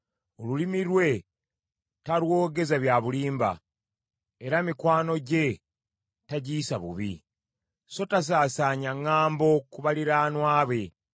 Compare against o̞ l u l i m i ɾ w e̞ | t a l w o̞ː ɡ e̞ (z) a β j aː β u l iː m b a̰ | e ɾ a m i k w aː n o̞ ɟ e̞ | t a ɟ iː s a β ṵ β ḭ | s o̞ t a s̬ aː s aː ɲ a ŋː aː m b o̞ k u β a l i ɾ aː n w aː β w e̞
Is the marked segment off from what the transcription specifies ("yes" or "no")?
no